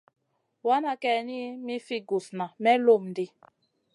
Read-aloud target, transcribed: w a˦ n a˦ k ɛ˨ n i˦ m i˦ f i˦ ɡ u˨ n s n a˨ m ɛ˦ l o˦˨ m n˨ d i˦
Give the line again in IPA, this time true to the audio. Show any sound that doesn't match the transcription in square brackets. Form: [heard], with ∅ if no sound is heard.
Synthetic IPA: w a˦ n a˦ k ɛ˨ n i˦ m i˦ f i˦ ɡ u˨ [∅] s n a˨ m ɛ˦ l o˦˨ m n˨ d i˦